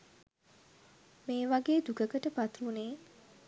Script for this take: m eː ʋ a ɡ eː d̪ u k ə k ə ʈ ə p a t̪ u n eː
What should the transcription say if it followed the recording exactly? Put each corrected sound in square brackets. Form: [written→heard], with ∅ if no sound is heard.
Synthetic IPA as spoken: m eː ʋ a ɡ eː d̪ u k ə k ə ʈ ə p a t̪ u n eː